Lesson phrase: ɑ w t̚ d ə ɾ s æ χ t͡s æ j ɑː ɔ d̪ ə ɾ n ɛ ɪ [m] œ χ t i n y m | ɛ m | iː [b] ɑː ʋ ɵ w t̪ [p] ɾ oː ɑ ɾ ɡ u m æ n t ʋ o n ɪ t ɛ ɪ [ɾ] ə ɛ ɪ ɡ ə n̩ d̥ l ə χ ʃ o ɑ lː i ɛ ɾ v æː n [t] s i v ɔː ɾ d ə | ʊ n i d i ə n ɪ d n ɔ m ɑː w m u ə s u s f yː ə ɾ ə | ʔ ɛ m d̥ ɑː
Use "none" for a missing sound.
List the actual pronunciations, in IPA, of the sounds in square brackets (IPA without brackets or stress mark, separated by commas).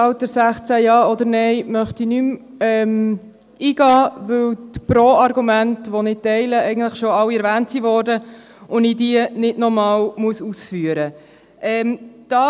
m, ɡ, p, l, t